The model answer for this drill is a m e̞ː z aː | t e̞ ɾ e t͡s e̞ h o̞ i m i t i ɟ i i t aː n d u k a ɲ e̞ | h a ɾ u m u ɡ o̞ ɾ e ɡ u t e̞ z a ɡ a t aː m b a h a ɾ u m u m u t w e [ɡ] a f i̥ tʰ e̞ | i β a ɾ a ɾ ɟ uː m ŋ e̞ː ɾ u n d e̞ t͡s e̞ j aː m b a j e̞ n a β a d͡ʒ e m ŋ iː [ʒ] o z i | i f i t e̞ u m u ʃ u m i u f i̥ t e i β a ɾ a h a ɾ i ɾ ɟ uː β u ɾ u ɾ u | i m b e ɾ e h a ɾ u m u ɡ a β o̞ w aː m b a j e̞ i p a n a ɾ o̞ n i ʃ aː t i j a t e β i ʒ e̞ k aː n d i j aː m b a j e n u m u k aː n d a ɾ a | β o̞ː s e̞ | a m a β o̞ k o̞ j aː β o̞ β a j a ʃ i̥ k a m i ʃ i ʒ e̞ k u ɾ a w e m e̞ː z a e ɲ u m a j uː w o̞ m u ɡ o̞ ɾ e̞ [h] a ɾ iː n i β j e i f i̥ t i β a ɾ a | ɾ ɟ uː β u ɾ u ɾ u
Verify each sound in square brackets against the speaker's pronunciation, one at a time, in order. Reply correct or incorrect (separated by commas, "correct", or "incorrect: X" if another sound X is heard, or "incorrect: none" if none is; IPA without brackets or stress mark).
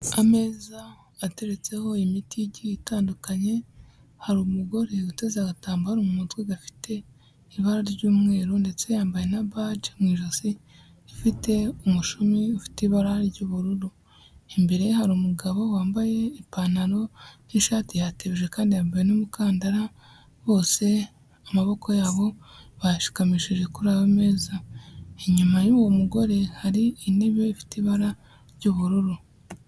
correct, correct, correct